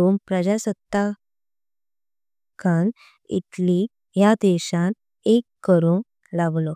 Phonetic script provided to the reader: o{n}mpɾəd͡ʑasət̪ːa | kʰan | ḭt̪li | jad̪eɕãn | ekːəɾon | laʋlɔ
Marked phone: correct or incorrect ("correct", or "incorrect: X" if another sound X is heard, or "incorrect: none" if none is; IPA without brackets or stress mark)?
incorrect: none